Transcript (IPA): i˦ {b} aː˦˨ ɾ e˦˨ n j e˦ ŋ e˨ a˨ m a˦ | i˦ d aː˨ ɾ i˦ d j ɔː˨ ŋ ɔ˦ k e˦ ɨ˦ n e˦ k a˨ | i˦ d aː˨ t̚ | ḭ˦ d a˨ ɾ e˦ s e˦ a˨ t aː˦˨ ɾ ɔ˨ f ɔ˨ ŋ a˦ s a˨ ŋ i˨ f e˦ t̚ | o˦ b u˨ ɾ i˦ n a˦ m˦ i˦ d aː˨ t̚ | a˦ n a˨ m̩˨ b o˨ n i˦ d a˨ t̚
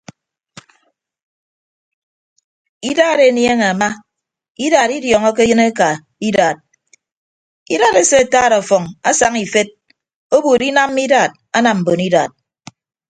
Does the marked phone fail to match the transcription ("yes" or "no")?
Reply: yes